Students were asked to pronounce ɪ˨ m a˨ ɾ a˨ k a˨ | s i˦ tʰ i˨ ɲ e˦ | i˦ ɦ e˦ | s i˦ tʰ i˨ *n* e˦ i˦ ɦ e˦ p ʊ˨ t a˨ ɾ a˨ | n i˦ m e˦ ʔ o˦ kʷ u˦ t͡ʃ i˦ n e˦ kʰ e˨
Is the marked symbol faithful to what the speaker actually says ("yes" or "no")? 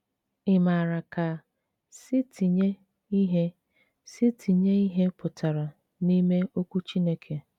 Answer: no